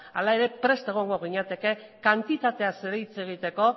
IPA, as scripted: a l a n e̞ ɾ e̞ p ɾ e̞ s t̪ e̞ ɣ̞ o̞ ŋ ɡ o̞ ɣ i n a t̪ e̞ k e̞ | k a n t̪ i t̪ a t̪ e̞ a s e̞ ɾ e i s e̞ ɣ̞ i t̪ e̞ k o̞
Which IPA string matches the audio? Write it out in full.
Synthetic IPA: a l a e̞ ɾ e̞ p ɾ e̞ s t̪ e̞ ɣ̞ o̞ ŋ ɡ o̞ ɣ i ɲ a t̪ e̞ k e̞ | k a n t̪ i t̪ a t̪ e̞ a s e̞ ɾ e i t͡s e̞ ɣ̞ i t̪ e̞ k o̞